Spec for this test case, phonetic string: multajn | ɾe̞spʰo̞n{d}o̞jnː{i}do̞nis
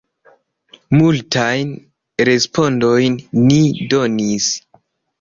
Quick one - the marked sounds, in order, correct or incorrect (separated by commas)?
correct, correct